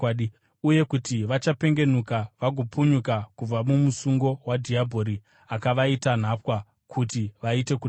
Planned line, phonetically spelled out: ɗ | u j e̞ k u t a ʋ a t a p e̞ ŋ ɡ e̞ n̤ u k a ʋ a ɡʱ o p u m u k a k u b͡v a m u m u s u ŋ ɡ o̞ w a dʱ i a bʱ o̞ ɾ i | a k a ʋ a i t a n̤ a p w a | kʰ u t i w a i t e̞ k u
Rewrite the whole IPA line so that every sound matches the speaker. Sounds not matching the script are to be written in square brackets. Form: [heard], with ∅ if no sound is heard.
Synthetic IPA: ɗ | u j e̞ k u t [i] ʋ a [t͡ʃ] a p e̞ ŋ ɡ e̞ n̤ u k a ʋ a ɡʱ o p u [ɲ] u k a k u b͡v a m u m u s u ŋ ɡ o̞ w a dʱ i a bʱ o̞ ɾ i | a k a ʋ a i t a n̤ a p w a | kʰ u t i [ʋ] a i t e̞ k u